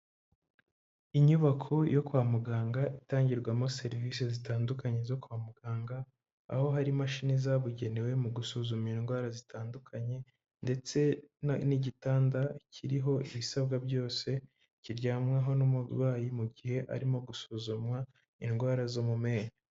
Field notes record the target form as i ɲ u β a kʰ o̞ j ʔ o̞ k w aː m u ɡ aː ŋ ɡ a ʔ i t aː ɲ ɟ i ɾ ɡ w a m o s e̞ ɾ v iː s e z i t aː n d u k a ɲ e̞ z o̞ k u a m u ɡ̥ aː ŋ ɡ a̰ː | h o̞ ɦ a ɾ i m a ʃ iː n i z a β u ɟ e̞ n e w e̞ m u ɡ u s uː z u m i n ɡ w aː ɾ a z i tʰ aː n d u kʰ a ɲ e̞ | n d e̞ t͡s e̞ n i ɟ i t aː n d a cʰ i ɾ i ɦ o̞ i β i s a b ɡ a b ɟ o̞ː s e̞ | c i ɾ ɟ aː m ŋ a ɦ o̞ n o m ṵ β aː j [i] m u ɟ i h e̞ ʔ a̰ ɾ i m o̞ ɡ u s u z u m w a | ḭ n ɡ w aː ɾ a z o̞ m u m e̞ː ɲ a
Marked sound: correct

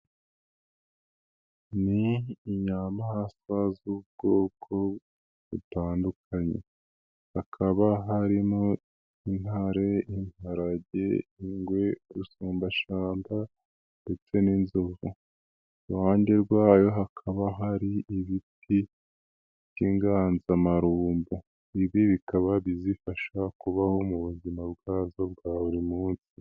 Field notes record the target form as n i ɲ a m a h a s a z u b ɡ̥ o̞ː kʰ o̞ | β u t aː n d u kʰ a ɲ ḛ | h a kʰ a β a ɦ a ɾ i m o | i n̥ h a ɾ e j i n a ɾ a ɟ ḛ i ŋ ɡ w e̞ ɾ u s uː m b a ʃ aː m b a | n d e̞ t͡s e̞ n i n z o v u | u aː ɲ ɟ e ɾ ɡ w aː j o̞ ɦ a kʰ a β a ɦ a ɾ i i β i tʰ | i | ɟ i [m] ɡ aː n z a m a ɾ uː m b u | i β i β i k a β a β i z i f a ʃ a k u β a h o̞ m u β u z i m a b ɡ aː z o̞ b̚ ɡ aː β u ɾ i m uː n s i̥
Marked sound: incorrect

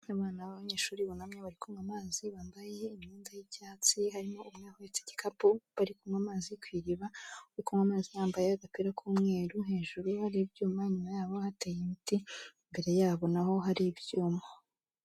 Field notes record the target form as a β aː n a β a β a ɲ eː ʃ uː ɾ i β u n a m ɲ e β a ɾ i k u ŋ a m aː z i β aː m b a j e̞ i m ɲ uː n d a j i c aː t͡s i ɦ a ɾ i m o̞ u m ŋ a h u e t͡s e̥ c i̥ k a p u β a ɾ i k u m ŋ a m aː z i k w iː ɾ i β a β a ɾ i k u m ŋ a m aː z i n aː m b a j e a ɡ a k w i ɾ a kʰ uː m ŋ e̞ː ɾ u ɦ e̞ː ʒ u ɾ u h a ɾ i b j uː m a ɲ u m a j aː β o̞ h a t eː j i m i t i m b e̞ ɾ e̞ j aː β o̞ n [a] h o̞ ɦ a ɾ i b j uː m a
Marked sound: correct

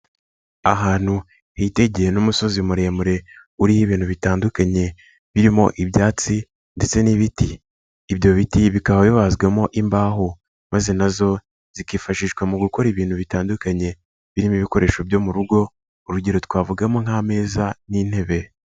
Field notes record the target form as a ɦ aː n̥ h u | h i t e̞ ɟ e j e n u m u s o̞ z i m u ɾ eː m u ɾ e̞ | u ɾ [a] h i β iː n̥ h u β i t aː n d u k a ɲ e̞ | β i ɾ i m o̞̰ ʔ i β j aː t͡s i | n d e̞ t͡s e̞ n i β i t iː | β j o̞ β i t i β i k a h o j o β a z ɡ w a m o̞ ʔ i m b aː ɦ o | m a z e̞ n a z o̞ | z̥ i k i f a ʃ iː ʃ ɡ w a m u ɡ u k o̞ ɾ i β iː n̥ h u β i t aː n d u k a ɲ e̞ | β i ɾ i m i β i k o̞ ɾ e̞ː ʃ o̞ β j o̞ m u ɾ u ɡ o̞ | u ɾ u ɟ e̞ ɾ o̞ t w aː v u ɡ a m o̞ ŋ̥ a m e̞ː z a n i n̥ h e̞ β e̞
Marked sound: incorrect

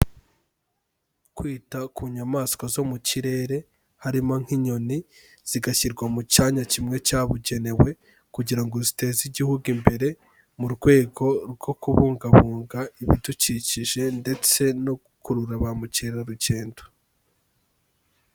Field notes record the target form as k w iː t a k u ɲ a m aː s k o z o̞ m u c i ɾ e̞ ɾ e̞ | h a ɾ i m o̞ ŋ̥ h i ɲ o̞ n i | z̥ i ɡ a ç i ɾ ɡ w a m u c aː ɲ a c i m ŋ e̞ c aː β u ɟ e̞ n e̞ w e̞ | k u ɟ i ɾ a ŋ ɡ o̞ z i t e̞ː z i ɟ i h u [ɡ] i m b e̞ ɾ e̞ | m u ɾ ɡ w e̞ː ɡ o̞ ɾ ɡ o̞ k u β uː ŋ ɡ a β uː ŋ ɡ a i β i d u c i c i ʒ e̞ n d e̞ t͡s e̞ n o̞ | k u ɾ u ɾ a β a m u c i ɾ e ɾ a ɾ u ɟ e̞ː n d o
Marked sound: correct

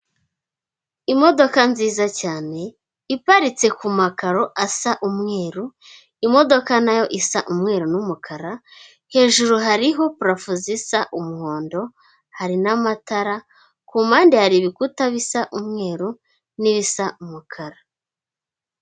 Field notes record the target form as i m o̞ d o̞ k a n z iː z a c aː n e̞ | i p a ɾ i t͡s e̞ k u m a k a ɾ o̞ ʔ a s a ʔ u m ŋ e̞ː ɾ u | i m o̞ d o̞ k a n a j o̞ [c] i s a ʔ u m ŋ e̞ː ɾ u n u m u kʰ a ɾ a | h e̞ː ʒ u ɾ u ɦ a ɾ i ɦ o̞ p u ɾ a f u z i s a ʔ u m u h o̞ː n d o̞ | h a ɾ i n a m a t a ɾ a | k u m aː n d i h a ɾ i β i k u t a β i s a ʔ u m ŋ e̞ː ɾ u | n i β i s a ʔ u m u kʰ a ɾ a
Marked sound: incorrect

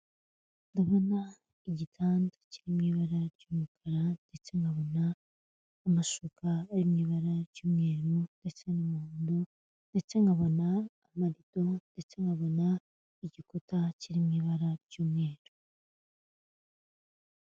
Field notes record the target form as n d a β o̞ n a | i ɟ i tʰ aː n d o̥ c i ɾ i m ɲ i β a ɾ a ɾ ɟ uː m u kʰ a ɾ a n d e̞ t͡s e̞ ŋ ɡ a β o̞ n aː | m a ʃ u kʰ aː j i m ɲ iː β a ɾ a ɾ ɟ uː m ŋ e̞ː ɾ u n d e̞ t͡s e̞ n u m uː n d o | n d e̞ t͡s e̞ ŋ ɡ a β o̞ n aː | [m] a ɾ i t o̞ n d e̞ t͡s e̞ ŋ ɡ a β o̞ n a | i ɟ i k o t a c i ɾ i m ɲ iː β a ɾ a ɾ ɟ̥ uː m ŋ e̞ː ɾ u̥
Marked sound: correct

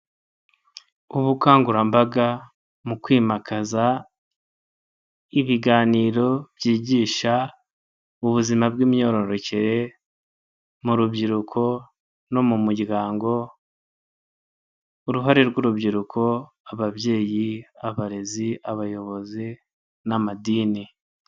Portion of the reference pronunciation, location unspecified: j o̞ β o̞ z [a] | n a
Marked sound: incorrect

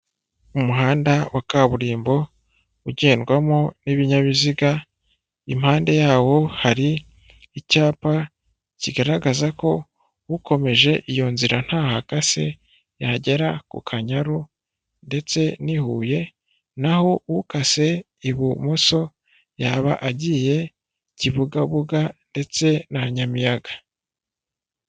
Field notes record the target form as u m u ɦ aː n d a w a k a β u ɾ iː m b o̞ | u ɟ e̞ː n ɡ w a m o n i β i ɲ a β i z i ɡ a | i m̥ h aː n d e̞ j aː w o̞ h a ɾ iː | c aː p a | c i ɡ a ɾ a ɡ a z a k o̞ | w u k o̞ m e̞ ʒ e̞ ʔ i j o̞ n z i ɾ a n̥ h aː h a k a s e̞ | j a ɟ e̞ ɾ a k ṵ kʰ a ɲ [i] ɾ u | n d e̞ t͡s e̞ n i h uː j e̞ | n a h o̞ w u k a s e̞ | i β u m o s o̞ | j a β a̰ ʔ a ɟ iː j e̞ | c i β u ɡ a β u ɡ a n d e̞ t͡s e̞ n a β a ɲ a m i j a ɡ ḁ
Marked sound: incorrect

